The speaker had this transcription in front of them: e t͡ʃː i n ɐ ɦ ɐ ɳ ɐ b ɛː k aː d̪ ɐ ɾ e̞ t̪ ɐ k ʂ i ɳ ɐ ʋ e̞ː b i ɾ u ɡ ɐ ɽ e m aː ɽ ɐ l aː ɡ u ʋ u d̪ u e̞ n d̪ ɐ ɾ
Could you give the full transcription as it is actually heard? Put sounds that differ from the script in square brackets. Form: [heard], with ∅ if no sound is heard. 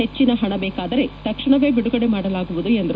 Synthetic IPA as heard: e t͡ʃː i n ɐ ɦ ɐ ɳ ɐ b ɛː k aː d̪ ɐ ɾ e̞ t̪ ɐ k ʂ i ɳ ɐ ʋ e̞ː b i [ɽ] u ɡ ɐ ɽ e m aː ɽ ɐ l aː ɡ u ʋ u d̪ u e̞ n d̪ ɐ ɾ